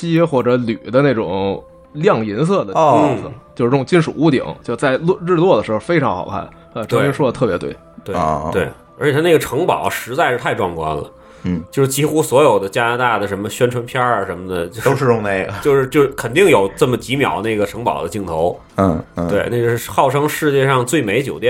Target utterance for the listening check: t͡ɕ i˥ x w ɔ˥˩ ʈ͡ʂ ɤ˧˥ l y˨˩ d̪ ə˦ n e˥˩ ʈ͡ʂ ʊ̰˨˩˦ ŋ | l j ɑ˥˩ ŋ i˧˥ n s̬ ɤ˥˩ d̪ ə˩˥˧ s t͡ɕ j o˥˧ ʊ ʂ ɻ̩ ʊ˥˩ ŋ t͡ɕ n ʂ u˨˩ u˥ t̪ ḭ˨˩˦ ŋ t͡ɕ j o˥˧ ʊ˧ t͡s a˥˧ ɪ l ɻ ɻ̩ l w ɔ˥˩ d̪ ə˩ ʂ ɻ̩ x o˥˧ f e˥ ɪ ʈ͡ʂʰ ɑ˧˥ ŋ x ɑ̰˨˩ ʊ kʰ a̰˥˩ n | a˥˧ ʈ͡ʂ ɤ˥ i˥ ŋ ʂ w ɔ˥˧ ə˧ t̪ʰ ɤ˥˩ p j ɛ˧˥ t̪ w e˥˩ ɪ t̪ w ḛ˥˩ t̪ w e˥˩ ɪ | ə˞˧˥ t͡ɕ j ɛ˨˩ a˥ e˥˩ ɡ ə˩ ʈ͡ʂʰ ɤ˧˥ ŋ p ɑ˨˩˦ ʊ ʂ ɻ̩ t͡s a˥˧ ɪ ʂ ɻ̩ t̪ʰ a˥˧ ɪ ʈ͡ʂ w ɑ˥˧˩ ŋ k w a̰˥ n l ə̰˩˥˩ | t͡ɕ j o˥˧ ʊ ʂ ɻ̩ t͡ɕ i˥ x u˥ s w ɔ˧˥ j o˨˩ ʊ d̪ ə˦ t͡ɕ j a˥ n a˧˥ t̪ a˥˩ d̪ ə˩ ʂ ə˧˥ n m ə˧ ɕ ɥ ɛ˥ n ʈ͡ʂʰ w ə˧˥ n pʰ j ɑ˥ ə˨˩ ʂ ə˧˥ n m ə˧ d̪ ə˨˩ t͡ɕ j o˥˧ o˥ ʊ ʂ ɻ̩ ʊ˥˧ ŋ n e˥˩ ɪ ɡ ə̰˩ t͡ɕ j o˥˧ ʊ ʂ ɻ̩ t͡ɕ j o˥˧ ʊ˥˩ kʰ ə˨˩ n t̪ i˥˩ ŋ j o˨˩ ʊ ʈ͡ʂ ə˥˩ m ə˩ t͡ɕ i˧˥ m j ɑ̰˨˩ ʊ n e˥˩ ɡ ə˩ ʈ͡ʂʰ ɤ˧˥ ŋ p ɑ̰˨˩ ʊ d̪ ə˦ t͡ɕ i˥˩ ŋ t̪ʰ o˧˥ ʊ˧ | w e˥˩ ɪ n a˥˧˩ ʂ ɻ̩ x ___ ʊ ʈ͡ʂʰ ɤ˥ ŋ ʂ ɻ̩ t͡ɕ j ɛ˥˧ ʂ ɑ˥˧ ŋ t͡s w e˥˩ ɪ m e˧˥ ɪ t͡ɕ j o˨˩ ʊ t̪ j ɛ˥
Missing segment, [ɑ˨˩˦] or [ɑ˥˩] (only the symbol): ɑ˥˩